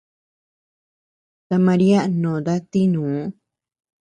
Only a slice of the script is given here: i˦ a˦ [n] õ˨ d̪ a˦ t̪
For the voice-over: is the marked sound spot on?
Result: yes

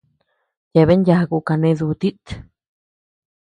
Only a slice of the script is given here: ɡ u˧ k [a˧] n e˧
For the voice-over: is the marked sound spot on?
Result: yes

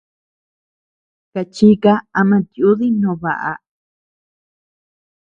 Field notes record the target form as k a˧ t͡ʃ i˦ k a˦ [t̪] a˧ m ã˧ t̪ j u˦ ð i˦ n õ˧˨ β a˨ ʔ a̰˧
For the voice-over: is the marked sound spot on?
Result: no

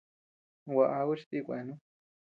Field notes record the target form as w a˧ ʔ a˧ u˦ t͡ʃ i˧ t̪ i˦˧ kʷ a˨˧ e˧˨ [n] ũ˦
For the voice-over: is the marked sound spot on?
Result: yes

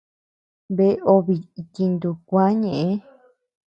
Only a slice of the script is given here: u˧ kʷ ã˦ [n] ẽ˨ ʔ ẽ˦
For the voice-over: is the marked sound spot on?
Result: no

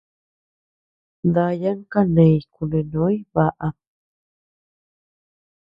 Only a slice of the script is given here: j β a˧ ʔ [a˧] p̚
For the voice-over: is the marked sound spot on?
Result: yes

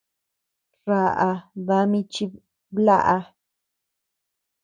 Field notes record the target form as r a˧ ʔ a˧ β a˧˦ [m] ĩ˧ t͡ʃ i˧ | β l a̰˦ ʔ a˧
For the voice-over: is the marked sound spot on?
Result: yes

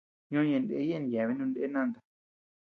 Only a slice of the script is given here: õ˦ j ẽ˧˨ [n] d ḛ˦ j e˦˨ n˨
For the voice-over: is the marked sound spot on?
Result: yes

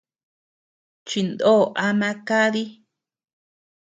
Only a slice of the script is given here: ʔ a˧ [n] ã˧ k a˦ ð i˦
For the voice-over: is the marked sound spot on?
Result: no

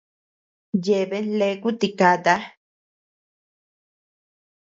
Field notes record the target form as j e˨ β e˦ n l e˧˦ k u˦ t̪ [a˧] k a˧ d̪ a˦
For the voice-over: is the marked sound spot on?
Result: no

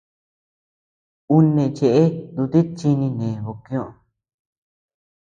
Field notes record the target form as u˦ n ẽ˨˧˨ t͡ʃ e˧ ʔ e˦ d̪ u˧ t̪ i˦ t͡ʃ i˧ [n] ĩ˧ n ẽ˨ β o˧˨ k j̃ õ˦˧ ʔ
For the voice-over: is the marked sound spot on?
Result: yes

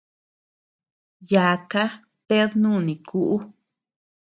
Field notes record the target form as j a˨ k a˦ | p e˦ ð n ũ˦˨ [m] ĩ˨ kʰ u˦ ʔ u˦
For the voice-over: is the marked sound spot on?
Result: no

